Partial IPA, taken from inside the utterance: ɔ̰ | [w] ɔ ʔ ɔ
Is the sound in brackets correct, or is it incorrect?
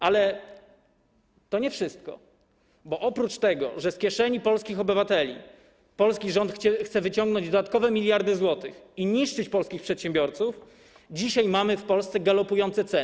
incorrect: b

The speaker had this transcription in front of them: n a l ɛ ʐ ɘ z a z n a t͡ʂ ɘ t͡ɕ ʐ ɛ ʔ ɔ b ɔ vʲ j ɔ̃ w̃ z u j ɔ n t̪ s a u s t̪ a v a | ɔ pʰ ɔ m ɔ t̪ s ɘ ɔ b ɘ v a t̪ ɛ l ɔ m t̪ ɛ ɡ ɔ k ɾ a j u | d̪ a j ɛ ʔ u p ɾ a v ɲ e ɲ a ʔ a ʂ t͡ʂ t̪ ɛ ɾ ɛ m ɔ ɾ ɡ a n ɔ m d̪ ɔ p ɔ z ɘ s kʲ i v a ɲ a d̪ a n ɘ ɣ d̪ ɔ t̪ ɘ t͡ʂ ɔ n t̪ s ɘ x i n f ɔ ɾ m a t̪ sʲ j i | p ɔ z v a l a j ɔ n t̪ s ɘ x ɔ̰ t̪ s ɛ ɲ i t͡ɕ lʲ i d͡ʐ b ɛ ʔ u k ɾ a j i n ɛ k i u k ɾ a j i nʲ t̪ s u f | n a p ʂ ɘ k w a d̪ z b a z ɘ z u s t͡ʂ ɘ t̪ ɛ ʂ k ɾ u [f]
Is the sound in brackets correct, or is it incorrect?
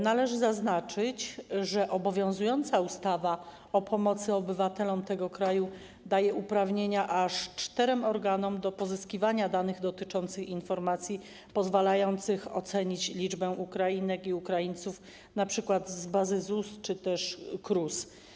incorrect: s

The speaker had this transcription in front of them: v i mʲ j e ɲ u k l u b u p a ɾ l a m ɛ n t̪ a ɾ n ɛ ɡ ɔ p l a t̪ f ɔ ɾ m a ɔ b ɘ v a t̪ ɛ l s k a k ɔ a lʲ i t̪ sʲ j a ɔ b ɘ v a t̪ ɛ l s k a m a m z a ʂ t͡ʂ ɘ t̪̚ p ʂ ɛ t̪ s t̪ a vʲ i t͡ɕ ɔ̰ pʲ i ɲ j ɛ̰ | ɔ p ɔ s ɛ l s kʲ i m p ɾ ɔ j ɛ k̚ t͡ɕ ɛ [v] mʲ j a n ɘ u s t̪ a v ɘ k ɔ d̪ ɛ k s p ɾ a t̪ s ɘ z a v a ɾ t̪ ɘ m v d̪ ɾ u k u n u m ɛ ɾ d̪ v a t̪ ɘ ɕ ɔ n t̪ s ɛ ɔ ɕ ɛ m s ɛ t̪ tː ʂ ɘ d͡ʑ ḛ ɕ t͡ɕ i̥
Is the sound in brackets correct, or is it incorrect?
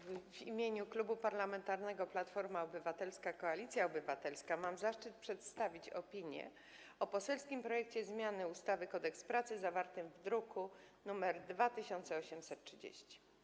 incorrect: z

